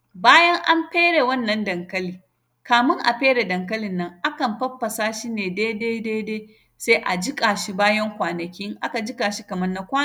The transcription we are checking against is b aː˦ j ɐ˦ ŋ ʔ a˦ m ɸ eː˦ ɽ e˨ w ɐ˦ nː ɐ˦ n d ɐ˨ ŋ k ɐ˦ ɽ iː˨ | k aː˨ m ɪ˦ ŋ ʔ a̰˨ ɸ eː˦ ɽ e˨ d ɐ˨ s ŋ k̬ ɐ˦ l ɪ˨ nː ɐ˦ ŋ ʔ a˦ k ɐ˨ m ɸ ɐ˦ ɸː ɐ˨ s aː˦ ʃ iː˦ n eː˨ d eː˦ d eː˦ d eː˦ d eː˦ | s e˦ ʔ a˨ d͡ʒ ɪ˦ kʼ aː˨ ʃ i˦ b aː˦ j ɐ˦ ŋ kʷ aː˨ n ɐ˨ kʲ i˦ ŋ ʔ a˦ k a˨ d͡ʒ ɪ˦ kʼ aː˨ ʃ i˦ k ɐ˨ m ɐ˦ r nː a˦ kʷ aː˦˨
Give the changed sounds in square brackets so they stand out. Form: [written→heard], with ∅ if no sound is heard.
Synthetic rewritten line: b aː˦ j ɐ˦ ŋ ʔ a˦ m ɸ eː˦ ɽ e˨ w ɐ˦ nː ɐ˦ n d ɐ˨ ŋ k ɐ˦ [ɽ→l] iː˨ | k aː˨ m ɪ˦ ŋ ʔ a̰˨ ɸ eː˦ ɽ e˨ d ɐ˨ [s→∅] ŋ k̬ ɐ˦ l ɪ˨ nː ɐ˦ ŋ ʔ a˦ k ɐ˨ m ɸ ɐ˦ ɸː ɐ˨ s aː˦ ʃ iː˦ n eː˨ d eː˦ d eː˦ d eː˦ d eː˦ | s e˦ ʔ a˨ d͡ʒ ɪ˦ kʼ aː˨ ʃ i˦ b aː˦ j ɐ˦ ŋ kʷ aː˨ n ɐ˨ kʲ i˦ ŋ ʔ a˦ k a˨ d͡ʒ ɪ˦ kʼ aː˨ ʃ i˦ k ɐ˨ m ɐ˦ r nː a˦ kʷ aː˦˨